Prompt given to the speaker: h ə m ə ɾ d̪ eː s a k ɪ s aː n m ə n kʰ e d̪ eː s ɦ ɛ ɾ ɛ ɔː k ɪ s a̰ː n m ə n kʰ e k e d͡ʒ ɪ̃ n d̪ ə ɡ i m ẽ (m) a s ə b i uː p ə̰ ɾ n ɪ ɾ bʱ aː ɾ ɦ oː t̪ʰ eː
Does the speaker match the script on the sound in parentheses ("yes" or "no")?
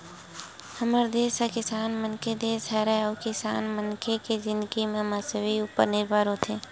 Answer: yes